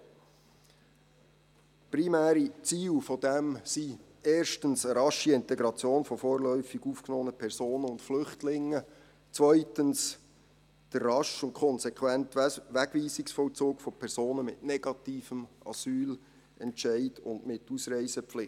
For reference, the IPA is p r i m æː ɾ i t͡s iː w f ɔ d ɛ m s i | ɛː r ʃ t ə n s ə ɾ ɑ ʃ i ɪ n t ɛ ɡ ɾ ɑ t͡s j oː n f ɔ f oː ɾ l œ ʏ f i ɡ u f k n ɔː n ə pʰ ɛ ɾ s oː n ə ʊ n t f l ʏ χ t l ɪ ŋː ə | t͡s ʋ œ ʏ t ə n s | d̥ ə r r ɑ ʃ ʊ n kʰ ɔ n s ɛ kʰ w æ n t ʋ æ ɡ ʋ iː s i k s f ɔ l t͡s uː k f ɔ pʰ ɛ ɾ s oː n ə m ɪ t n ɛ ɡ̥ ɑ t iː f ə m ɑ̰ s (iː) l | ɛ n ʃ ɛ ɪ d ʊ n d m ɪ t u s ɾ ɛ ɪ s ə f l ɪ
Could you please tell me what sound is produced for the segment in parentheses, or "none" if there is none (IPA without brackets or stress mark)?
yː